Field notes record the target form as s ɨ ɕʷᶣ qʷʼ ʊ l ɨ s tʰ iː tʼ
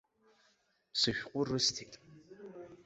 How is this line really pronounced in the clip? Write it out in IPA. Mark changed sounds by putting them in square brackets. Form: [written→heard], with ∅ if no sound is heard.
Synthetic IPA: s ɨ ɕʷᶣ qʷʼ ʊ [l→r] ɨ s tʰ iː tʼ